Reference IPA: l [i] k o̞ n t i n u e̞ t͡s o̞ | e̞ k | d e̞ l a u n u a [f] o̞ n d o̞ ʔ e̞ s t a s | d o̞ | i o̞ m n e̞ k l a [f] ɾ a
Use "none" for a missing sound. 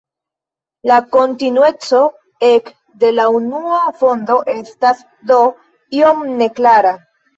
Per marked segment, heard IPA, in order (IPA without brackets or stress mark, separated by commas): a, f, none